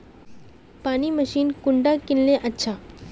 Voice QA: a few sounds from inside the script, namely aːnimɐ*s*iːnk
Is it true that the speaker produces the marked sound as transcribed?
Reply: no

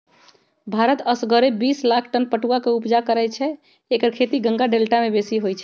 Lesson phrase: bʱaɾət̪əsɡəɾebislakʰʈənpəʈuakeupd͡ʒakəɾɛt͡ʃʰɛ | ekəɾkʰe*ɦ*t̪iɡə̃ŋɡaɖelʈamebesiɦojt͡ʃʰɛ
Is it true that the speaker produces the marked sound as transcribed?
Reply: no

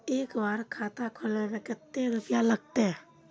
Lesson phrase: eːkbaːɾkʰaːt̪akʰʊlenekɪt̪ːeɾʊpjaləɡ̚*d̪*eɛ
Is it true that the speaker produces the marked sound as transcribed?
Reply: no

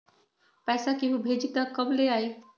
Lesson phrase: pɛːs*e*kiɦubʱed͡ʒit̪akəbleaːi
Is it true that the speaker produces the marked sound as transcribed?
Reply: no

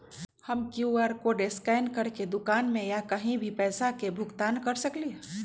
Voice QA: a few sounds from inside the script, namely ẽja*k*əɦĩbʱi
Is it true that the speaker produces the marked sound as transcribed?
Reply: yes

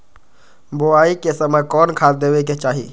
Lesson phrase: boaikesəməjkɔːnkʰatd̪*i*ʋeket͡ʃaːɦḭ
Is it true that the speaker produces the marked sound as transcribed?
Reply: no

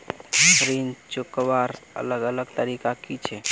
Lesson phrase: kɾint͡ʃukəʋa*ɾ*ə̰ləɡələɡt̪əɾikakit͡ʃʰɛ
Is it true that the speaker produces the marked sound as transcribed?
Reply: yes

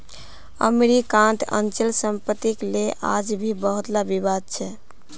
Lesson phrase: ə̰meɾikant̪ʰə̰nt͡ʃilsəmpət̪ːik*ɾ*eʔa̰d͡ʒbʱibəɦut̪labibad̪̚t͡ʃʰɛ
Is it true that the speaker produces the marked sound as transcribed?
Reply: no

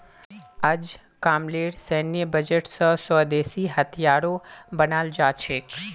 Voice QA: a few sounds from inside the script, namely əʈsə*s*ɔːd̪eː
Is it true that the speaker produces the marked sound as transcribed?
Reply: yes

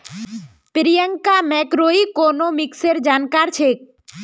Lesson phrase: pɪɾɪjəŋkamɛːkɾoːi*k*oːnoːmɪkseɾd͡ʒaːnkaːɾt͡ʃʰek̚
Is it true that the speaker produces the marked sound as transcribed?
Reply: yes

